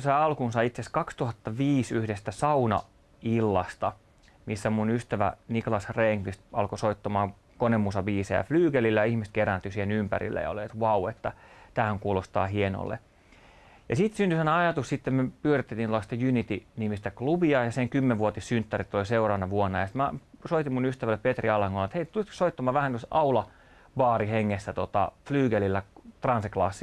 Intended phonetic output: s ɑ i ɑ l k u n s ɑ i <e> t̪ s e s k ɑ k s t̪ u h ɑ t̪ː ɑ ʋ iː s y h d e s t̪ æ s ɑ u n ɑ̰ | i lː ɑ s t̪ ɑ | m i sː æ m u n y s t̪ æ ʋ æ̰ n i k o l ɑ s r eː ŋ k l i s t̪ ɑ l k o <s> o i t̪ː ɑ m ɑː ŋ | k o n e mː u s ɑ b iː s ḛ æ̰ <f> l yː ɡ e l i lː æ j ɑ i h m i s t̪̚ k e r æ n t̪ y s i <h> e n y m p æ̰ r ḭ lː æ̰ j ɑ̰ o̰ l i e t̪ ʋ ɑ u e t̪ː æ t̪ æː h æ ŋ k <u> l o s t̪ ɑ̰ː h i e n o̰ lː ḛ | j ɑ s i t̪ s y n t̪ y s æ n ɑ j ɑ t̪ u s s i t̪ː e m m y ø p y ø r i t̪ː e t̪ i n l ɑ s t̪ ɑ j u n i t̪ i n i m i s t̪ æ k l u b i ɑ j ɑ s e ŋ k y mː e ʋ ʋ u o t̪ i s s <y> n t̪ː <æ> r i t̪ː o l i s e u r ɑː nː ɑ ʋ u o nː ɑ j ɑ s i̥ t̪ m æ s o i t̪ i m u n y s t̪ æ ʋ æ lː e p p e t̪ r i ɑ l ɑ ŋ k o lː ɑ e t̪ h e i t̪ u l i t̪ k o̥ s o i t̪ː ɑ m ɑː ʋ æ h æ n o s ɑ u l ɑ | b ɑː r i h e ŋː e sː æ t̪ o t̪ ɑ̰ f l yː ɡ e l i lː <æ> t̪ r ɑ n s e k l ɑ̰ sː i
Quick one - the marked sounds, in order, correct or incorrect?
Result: incorrect: i, correct, correct, correct, incorrect: uː, correct, correct, correct

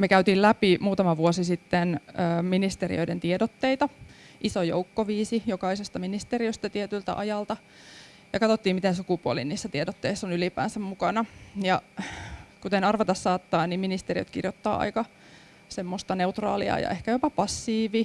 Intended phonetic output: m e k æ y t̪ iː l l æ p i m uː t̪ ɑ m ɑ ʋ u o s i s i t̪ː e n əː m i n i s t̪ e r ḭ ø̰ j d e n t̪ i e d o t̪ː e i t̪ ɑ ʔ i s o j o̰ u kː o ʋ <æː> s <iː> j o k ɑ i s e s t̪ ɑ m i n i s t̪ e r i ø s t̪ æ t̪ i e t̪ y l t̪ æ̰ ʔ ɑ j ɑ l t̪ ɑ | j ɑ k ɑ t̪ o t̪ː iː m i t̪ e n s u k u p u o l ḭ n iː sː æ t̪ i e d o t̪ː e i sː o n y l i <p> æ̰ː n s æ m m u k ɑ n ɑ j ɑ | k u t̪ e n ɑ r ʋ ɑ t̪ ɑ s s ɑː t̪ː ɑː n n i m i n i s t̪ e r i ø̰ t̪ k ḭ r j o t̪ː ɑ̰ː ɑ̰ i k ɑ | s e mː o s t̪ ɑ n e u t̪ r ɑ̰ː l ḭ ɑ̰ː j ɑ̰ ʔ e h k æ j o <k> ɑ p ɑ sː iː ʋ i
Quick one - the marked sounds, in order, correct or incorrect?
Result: incorrect: iː, incorrect: i, correct, incorrect: p

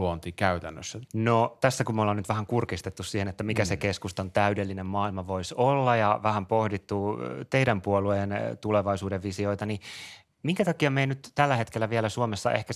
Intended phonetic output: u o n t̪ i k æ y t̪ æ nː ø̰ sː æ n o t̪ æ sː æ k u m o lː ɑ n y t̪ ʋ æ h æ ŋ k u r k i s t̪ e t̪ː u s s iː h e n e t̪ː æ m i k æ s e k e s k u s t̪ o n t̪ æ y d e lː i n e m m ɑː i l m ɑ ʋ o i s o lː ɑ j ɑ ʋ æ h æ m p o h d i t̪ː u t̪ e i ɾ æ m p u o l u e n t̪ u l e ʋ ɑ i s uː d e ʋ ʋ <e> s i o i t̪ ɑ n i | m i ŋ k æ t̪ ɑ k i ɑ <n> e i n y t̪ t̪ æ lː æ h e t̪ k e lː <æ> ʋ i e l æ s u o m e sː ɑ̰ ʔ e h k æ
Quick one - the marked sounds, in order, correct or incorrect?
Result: incorrect: i, incorrect: m, correct

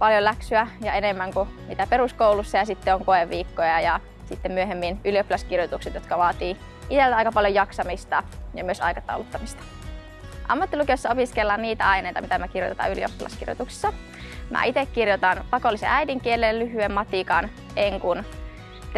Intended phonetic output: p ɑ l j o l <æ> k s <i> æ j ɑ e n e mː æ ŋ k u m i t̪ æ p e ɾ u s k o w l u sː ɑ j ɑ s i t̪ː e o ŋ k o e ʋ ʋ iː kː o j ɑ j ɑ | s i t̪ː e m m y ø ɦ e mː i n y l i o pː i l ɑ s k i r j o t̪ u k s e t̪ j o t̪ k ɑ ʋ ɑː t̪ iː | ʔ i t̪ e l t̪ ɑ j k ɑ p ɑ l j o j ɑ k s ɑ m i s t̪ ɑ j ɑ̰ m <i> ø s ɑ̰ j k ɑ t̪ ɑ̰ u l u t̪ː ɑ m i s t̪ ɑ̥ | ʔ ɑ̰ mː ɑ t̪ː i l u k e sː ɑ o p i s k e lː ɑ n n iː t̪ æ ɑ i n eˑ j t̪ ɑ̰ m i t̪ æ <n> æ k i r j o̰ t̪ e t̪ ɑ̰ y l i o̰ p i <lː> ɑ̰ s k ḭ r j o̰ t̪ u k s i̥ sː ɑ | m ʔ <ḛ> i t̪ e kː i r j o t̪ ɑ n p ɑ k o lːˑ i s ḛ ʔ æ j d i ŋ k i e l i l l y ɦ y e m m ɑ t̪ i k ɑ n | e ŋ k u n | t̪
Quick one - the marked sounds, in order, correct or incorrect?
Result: correct, incorrect: y, incorrect: y, incorrect: m, incorrect: l, incorrect: æ̰

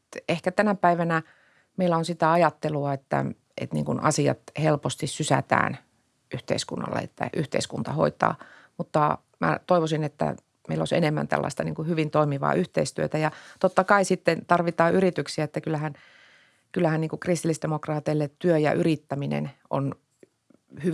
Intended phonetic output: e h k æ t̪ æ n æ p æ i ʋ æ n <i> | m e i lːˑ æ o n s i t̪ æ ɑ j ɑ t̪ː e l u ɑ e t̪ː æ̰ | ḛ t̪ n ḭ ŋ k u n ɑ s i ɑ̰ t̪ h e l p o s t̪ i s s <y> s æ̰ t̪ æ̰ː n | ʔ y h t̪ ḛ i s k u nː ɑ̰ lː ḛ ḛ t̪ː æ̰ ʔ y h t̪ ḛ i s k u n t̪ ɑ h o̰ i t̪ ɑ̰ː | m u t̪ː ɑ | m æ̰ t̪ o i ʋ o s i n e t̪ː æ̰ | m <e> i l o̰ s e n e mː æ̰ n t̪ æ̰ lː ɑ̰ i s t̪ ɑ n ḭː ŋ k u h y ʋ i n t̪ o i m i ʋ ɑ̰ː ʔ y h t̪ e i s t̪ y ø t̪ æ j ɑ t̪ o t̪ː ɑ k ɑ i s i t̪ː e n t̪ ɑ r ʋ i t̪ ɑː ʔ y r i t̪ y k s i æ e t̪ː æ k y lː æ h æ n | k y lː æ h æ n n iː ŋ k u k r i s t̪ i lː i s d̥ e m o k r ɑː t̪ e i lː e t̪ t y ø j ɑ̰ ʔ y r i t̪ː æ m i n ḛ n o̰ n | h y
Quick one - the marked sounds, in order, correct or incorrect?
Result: incorrect: æ, correct, correct

